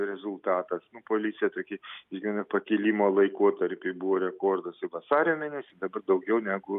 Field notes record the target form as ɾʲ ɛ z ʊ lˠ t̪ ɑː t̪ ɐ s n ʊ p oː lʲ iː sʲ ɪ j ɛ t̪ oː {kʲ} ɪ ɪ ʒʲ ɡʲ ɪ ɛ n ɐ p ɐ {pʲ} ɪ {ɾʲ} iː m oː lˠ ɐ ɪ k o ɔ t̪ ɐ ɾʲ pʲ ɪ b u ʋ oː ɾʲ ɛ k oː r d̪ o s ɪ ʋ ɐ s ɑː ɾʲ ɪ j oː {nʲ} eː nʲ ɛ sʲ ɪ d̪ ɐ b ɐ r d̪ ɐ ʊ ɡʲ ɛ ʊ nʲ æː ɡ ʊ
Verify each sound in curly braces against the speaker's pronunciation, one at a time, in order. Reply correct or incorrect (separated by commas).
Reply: correct, incorrect, incorrect, incorrect